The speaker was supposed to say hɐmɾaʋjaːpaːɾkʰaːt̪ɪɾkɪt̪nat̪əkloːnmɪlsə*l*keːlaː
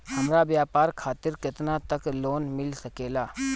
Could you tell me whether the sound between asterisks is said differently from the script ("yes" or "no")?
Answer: yes